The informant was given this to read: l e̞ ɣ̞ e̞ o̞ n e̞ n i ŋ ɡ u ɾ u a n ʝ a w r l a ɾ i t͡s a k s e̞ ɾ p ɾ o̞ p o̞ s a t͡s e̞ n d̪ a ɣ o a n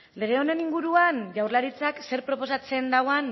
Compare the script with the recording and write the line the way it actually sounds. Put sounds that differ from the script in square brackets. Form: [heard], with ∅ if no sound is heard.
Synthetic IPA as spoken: l e̞ ɣ̞ e̞ o̞ n e̞ n i ŋ ɡ u ɾ u a n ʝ a w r l a ɾ i t͡s a k s e̞ ɾ p ɾ o̞ p o̞ s a t͡s e̞ n d̪ a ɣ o a n